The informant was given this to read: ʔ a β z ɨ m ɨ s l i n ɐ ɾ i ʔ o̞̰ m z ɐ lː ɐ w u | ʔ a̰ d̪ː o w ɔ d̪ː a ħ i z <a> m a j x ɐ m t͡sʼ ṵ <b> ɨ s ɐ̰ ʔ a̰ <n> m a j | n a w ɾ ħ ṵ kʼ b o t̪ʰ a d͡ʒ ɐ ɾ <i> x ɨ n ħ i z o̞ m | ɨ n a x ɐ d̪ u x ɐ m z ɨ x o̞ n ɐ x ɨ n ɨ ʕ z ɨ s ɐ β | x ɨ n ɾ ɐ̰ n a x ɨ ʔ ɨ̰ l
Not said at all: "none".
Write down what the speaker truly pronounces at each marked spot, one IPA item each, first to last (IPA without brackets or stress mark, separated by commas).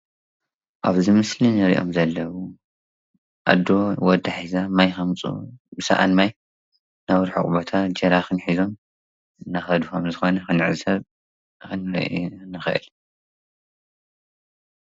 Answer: a, b, n, a